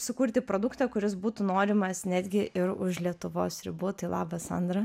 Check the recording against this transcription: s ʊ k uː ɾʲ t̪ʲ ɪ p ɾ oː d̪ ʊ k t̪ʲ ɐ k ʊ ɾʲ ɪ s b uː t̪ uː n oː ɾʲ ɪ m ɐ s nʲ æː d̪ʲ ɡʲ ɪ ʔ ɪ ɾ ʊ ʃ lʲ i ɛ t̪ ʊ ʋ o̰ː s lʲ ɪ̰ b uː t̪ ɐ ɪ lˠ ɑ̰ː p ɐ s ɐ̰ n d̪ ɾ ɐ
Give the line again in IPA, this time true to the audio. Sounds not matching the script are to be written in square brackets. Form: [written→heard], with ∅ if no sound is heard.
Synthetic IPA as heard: s ʊ k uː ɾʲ t̪ʲ ɪ p ɾ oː d̪ ʊ k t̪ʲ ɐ k ʊ ɾʲ ɪ s b uː t̪ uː n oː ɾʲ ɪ m ɐ s nʲ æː d̪ʲ ɡʲ ɪ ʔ ɪ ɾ ʊ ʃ lʲ i ɛ t̪ ʊ ʋ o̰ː s [lʲ→ɾʲ] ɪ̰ b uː t̪ ɐ ɪ lˠ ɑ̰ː [p→b] ɐ s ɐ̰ n d̪ ɾ ɐ